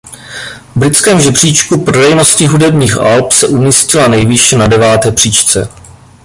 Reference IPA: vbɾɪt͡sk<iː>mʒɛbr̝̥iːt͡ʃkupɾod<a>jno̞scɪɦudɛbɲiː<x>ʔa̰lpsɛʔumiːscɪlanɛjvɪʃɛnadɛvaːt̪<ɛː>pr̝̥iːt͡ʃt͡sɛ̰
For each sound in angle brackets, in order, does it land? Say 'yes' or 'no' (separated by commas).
no, no, yes, yes